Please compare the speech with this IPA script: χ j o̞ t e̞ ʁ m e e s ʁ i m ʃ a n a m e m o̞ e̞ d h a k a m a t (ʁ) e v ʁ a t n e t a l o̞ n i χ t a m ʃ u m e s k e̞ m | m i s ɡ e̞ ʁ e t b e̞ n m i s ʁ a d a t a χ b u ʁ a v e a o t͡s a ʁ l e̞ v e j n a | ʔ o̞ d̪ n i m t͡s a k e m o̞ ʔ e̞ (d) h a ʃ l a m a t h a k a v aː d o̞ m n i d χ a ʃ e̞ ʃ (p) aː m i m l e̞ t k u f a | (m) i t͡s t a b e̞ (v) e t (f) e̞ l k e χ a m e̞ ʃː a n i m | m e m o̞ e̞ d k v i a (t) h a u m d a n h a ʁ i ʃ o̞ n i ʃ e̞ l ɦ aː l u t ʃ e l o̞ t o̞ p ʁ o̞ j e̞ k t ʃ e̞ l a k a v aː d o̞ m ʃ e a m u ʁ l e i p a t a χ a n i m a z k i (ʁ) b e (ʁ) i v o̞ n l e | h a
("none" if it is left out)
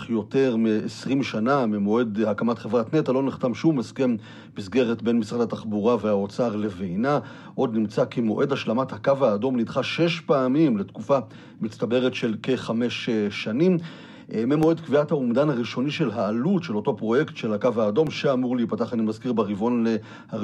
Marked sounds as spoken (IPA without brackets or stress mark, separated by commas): χ, d, p, m, ʁ, ʃ, t, ʁ, ʁ